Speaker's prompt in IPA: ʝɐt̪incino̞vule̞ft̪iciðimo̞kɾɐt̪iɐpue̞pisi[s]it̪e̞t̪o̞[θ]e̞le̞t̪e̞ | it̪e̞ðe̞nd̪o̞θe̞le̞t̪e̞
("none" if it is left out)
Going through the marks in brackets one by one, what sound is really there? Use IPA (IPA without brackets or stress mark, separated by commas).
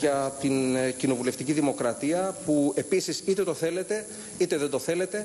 s, θ